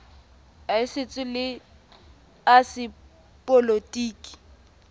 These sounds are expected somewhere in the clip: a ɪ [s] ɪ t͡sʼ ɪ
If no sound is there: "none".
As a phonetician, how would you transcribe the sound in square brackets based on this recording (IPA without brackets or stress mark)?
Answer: s